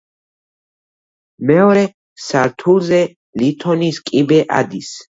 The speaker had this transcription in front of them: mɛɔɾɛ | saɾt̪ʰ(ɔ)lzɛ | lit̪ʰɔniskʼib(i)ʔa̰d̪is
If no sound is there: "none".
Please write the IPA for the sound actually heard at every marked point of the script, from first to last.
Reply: u, ɛ

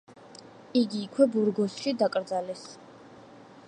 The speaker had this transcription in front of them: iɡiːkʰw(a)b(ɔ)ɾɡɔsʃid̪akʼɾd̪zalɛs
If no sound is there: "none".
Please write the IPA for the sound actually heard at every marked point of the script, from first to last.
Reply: ɛ, u

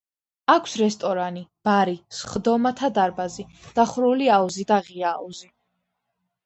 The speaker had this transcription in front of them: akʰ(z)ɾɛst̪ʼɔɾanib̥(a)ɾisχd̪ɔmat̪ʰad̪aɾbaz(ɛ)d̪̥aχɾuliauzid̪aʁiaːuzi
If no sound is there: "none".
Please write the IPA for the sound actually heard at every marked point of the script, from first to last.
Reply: s, a, i

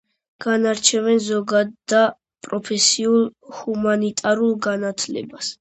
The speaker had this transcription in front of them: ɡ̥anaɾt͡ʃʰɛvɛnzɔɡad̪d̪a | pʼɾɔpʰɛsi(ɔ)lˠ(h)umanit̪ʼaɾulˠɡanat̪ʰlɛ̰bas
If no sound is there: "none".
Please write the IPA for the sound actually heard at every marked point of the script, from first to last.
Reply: u, h

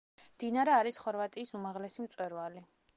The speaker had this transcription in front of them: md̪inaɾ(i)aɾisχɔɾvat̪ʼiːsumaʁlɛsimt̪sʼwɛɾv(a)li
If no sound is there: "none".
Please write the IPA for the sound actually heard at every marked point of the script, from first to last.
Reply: ɛ, a

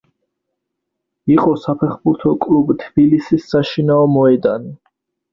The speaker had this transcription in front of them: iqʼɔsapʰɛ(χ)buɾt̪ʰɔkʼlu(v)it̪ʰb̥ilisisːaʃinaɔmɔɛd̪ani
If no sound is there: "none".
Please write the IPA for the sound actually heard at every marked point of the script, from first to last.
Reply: χ, b

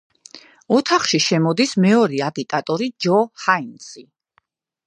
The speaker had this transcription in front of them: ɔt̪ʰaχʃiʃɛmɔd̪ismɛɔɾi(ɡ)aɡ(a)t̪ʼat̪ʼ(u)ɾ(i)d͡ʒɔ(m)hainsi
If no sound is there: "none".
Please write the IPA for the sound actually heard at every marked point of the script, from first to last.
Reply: none, i, ɔ, i, none

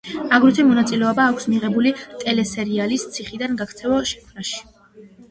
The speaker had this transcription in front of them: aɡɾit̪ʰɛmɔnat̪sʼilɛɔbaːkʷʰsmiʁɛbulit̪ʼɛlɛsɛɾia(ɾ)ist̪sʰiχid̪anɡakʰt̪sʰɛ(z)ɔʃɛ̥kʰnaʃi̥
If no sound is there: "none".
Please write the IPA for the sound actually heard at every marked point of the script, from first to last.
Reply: l, v

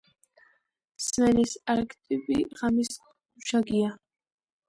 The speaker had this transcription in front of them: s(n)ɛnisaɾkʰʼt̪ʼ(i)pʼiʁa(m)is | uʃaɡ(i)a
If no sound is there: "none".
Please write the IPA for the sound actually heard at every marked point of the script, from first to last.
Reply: m, i, m, i

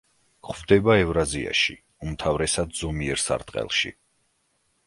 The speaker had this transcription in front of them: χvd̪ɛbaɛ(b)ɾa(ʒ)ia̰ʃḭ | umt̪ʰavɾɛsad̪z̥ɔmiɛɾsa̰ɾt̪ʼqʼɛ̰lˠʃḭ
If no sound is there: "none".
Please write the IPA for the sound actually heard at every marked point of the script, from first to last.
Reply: v, z

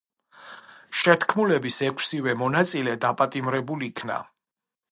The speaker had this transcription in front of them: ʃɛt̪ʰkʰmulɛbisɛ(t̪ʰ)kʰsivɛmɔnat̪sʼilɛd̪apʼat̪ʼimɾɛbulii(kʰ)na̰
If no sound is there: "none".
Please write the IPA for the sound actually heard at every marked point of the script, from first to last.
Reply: none, kʰ

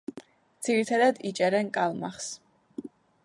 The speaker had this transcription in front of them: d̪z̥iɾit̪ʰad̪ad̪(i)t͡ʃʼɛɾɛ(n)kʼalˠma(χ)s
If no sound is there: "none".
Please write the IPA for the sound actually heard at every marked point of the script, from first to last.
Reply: i, n, χ

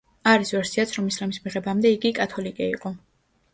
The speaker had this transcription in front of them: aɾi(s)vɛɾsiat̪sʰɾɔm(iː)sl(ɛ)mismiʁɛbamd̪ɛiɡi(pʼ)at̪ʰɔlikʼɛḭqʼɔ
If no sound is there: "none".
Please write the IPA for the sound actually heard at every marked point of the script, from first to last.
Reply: s, i, a, kʼ

